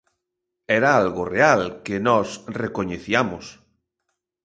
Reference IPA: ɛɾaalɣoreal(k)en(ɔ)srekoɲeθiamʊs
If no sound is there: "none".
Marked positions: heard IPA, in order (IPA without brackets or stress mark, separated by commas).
k, ɔ